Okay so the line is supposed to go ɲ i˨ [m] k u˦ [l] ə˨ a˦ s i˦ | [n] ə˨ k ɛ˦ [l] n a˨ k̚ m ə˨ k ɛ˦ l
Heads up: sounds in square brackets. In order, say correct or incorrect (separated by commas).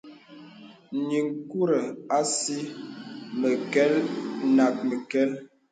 incorrect, incorrect, incorrect, correct